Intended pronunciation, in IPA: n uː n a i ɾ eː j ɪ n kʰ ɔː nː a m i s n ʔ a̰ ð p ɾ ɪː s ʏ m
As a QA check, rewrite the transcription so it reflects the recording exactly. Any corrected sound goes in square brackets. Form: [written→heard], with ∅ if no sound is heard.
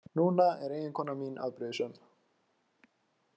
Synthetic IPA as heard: n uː n a [i→ɛ] ɾ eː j ɪ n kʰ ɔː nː a m i [s→∅] n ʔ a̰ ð p ɾ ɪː s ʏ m